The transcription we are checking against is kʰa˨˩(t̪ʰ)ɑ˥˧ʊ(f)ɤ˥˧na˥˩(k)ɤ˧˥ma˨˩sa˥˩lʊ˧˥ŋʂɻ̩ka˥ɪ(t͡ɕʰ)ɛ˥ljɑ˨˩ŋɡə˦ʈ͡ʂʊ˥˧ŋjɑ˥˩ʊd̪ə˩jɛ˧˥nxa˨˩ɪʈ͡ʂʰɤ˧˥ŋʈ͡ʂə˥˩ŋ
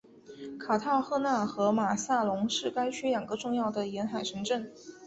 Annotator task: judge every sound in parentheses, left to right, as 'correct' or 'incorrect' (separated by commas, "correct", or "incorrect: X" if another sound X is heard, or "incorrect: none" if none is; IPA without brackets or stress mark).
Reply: correct, incorrect: x, incorrect: x, correct